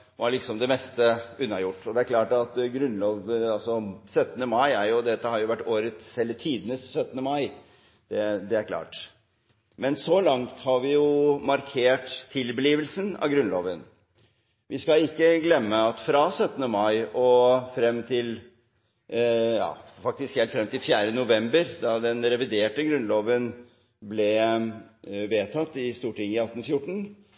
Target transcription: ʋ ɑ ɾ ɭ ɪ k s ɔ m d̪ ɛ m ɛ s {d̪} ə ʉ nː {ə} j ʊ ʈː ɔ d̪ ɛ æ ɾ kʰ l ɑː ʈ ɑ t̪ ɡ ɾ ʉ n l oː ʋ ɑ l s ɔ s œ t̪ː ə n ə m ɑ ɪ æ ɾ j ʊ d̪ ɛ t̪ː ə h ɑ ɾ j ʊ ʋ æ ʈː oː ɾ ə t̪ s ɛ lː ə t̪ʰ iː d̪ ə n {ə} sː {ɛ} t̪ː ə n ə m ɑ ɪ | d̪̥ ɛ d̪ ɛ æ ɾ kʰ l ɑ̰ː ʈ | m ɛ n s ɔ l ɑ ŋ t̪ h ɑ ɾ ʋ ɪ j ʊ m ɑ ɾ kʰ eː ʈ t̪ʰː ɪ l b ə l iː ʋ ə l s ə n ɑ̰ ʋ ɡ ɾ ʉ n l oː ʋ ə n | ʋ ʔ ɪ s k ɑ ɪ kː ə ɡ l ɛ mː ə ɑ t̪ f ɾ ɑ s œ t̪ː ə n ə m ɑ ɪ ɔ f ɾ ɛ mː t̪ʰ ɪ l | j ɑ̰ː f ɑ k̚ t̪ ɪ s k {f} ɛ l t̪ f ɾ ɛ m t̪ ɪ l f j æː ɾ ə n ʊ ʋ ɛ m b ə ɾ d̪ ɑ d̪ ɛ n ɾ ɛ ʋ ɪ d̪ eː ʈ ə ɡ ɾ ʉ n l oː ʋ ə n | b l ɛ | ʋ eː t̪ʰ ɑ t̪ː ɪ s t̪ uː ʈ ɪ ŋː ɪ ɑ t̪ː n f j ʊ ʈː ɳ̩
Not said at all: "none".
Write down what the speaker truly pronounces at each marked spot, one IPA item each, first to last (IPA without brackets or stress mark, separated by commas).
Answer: t̪, ɑ, ə, œ, h